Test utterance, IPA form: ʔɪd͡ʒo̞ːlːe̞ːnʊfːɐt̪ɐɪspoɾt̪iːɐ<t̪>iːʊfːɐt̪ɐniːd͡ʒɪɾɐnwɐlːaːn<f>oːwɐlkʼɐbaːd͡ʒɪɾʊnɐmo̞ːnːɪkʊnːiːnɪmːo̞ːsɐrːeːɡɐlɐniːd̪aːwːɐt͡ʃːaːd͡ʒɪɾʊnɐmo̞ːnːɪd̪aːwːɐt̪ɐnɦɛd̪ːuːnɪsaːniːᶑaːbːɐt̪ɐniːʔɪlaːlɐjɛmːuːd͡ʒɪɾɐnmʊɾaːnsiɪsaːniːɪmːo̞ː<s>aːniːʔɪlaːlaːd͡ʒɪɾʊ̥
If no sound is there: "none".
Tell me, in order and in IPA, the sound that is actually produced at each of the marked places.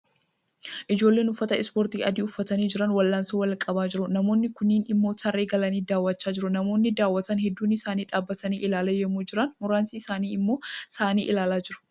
d̪, s, s

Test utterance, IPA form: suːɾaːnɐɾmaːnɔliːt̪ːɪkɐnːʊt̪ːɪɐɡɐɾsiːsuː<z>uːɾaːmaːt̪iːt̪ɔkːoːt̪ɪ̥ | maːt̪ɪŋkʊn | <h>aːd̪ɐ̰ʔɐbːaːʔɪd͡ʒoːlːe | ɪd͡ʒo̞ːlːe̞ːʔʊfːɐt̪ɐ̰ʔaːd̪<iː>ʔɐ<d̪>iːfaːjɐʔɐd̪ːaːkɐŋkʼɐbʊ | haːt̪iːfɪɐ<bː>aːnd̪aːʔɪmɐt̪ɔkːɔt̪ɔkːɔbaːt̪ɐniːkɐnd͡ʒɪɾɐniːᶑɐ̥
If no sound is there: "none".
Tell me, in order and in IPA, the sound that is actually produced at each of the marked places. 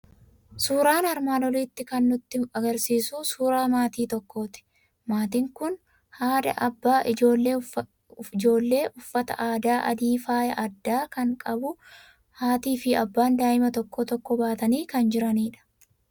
s, h, aː, d̪, bː

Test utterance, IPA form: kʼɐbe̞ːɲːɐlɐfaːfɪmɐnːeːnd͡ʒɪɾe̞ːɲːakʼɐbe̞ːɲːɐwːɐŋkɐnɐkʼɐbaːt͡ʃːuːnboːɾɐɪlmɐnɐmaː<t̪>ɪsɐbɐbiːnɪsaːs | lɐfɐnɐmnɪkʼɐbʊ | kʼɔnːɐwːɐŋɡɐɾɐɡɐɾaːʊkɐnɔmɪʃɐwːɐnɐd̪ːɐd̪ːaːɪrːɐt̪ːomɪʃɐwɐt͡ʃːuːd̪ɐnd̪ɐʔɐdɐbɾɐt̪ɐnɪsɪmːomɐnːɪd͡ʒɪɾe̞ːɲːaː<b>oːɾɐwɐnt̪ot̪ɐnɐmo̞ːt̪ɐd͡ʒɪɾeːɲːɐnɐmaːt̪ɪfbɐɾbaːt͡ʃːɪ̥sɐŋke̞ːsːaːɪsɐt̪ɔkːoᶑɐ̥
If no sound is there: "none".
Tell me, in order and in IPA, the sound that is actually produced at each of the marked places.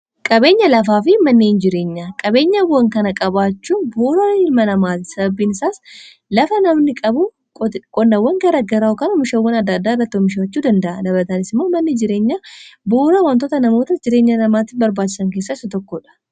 t̪, b

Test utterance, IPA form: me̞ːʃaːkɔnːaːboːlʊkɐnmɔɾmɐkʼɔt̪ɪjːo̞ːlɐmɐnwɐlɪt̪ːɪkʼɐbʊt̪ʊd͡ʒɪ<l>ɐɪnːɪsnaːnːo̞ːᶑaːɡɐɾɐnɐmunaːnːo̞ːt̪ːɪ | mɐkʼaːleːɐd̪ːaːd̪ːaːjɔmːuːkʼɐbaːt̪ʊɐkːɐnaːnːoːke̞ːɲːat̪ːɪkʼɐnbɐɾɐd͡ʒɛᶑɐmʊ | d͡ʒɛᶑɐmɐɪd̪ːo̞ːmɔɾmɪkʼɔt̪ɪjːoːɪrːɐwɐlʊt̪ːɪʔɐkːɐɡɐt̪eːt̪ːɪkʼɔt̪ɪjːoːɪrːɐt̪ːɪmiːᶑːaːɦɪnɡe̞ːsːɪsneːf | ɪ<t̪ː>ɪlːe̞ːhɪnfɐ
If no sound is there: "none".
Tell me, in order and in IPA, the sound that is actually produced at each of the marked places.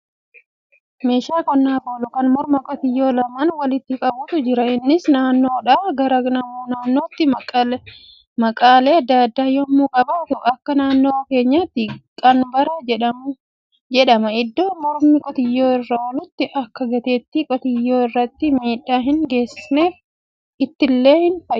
ɾ, t̪ː

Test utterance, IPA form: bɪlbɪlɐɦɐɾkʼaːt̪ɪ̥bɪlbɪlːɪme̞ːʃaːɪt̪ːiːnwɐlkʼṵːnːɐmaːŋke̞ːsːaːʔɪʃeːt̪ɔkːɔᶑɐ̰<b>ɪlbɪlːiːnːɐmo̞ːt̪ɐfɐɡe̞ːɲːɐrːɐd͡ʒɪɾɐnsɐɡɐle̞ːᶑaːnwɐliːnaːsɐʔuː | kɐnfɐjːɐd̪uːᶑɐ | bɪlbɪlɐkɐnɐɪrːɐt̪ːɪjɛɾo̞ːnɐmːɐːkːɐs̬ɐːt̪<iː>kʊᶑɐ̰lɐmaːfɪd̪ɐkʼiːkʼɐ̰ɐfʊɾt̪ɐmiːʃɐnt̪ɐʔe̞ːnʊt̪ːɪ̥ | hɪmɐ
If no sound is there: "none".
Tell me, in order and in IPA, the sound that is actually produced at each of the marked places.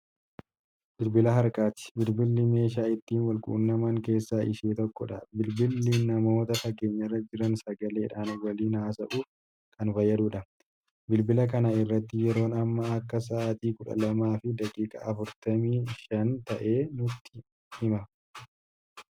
b, iː

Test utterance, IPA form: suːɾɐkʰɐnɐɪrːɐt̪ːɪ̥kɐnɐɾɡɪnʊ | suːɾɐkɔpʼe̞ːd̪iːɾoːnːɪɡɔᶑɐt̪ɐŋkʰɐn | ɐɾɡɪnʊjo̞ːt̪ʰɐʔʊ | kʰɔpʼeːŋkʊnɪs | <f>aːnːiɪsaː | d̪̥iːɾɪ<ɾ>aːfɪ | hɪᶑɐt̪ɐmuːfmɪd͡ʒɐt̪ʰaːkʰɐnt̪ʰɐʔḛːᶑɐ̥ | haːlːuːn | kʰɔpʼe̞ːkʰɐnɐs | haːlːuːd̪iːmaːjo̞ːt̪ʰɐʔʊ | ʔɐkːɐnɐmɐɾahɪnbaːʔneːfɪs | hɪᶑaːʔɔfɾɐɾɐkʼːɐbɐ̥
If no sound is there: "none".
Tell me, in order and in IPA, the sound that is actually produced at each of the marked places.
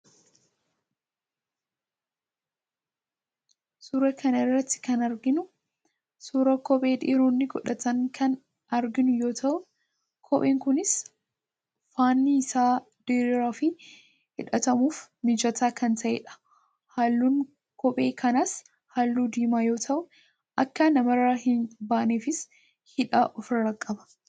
f, ɾ

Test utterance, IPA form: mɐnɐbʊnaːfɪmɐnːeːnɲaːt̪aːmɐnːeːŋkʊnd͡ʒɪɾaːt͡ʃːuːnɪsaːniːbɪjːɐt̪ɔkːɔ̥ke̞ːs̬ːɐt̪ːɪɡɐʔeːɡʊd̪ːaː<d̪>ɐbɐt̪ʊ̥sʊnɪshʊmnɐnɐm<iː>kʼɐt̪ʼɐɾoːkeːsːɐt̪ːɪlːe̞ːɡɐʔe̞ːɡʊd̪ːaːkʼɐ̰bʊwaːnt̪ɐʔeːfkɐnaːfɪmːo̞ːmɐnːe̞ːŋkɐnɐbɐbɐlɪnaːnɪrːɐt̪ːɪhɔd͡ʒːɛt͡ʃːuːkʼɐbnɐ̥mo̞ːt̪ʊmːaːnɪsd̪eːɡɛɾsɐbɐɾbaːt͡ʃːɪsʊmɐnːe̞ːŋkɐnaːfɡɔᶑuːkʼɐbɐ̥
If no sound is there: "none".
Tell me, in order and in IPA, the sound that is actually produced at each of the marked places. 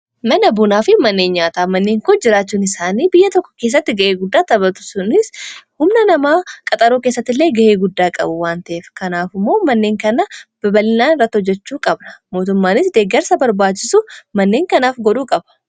t̪, aː

